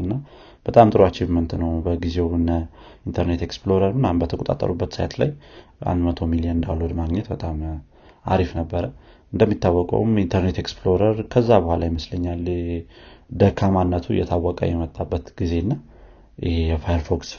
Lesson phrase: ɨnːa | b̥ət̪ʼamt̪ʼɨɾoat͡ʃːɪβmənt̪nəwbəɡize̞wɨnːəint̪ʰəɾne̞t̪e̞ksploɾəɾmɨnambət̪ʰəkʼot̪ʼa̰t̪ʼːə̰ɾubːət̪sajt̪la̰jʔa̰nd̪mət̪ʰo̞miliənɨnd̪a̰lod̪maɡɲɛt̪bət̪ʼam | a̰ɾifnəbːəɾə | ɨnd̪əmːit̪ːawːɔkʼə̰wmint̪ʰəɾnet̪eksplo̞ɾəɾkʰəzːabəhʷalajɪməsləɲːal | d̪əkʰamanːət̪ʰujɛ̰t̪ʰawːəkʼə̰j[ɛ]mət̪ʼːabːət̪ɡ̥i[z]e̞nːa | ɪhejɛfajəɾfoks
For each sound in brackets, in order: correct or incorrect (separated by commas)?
correct, correct